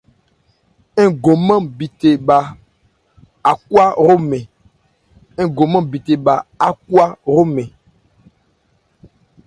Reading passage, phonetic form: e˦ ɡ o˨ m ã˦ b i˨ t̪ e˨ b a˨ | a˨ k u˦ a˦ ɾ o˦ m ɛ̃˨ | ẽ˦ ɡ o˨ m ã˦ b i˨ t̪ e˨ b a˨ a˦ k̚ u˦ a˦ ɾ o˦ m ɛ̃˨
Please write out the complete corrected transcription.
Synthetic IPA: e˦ ɡ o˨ m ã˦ b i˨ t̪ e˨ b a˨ | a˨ k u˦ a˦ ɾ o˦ m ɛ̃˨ | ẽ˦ ɡ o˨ m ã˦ b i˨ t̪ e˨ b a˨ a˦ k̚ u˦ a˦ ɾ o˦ m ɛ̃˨